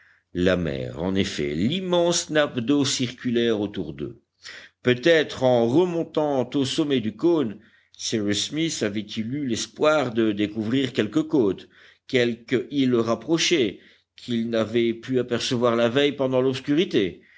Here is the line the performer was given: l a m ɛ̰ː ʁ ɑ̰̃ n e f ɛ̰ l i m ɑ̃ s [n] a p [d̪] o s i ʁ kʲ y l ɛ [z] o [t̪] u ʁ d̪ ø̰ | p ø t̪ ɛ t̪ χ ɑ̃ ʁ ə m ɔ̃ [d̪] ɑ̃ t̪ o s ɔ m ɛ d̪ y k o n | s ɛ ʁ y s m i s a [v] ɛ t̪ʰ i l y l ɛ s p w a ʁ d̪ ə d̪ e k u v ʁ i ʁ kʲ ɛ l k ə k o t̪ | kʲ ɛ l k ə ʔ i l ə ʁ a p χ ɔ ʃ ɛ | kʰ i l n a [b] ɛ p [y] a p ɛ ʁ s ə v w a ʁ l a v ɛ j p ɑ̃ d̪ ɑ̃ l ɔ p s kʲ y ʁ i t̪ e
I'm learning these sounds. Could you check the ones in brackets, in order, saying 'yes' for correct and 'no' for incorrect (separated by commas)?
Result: yes, yes, no, yes, no, yes, no, yes